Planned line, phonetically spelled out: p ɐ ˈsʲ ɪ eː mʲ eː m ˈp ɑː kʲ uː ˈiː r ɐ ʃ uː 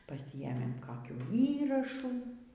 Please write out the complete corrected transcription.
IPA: p ɐ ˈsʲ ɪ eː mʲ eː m ˈk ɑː kʲ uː ˈiː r ɐ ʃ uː